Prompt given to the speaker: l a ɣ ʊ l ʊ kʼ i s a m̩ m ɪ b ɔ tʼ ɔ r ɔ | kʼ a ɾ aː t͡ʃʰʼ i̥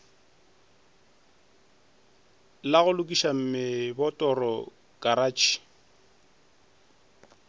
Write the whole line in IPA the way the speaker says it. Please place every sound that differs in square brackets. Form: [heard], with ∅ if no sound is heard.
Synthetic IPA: l a ɣ ʊ l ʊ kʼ i [ʃ] a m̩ m ɪ b ɔ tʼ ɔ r ɔ | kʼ a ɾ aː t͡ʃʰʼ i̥